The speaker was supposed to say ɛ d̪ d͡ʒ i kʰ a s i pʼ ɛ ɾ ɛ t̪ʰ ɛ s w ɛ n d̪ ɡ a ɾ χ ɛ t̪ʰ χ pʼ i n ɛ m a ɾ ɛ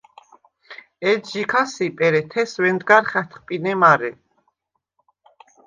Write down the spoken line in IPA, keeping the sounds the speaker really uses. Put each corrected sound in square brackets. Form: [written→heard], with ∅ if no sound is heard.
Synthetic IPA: ɛ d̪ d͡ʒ i kʰ a s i pʼ ɛ ɾ ɛ t̪ʰ ɛ s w ɛ n d̪ ɡ a ɾ χ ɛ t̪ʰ χ pʼ i n ɛ m a ɾ ɛ